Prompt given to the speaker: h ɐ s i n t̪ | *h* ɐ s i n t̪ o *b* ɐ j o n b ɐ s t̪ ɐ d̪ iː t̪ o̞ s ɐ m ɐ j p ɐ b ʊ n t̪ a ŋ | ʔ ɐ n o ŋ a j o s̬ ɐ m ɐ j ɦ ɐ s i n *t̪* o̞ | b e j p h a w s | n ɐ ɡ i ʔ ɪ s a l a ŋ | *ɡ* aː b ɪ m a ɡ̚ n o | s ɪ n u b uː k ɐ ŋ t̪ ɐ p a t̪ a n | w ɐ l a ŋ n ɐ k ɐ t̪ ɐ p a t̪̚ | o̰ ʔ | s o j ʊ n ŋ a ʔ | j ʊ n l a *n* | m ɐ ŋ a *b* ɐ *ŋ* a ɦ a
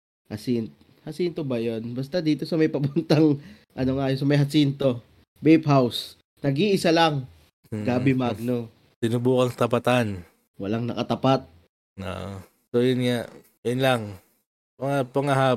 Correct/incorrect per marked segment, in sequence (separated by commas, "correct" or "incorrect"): correct, correct, correct, correct, incorrect, incorrect, correct